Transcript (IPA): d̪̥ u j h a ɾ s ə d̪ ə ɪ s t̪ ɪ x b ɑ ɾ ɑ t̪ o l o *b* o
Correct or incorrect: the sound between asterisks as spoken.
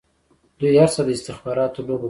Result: correct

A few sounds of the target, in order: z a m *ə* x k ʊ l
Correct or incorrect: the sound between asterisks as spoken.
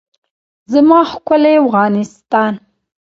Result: incorrect: ɑ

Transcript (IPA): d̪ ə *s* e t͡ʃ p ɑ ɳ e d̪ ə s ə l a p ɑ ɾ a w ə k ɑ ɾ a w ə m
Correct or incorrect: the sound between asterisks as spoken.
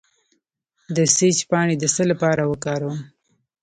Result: correct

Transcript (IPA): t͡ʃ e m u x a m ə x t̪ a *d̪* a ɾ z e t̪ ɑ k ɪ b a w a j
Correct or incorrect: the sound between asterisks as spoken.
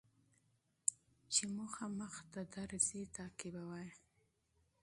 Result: correct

